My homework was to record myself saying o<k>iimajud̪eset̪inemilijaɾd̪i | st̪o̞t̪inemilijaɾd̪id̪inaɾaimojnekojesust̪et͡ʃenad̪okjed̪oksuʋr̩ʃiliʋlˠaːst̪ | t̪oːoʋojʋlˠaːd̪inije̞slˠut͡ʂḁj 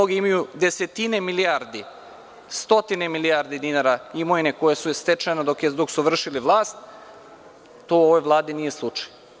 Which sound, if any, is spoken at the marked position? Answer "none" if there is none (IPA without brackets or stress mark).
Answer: ɡ